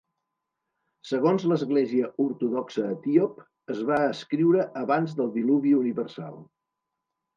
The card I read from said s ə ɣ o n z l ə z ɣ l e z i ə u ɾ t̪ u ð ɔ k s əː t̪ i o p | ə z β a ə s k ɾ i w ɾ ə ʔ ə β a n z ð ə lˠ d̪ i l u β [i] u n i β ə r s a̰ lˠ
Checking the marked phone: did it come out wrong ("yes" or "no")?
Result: no